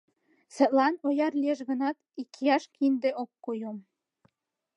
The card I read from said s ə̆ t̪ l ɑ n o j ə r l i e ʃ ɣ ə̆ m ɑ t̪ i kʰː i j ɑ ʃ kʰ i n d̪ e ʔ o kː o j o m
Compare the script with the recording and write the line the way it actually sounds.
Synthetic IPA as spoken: s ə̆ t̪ l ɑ n o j ɑ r l i e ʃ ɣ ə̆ n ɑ t̪ i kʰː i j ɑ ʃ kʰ i n d̪ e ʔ o kː o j o m